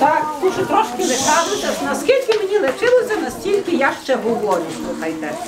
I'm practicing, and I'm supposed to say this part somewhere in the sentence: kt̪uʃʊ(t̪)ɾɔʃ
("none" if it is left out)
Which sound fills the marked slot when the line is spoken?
t̪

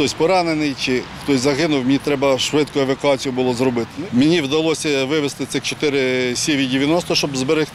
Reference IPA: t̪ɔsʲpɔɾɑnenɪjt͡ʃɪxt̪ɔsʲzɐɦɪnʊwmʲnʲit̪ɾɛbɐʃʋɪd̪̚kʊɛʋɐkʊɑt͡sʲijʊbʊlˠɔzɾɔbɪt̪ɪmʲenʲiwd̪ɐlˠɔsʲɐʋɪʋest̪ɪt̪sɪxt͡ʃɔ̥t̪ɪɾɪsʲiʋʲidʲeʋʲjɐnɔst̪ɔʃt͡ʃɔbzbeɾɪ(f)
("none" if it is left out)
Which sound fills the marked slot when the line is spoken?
x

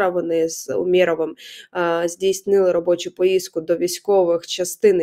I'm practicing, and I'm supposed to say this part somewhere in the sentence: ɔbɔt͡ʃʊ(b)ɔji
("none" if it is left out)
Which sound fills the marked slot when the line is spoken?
p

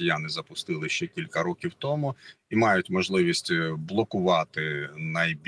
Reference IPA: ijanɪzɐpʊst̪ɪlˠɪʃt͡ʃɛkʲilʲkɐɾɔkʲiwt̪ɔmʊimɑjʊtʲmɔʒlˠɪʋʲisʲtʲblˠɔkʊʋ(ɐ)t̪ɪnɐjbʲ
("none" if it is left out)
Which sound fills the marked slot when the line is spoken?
ɑ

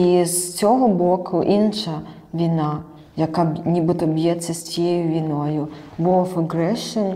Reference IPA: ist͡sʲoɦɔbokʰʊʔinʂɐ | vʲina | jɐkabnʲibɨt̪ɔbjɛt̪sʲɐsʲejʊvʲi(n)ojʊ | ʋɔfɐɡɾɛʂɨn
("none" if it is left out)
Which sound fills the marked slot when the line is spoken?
n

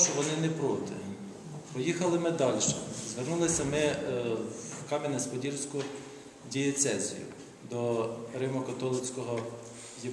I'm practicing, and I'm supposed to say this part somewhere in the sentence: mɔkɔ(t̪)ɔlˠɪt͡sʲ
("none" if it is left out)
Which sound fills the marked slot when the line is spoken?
t̪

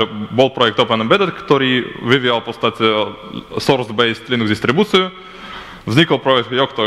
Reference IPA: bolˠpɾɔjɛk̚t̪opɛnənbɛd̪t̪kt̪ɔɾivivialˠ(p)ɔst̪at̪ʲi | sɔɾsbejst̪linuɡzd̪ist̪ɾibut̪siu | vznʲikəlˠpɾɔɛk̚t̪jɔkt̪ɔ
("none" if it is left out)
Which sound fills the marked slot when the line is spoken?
p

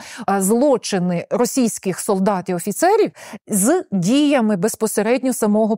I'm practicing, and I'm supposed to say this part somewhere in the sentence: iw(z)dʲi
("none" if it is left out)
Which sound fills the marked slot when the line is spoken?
z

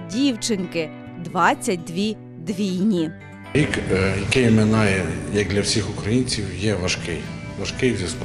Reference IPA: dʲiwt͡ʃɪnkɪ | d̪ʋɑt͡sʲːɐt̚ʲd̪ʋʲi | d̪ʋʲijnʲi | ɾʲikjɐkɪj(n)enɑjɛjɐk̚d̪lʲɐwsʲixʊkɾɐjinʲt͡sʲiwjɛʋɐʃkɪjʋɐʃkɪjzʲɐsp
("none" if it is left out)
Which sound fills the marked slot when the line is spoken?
m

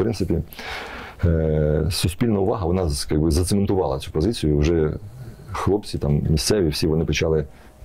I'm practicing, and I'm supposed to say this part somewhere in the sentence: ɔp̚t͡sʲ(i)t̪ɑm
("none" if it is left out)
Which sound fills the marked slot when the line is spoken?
i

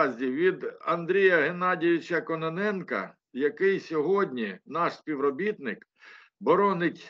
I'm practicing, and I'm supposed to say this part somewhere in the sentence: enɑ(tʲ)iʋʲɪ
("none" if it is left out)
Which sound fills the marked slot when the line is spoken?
dʲ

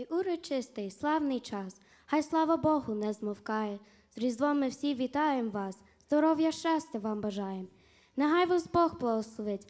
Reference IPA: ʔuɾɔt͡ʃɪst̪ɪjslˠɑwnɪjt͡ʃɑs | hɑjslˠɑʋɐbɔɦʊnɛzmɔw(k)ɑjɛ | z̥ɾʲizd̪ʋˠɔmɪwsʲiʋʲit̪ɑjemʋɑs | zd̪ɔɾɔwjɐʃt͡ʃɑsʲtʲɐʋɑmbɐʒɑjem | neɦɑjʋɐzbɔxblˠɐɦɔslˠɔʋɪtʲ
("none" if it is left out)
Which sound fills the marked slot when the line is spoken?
k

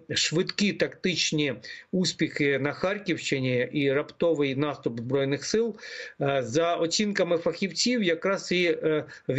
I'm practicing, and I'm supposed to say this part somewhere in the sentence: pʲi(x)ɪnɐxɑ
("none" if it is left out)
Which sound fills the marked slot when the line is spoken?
x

